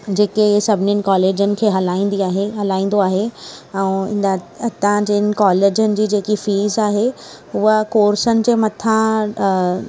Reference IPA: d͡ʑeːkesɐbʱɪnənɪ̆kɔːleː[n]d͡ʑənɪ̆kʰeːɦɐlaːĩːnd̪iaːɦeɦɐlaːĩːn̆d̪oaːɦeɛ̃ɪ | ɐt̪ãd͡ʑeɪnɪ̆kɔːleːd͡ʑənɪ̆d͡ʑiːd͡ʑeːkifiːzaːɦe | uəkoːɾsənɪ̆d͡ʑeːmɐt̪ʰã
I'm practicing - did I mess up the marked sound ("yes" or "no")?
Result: yes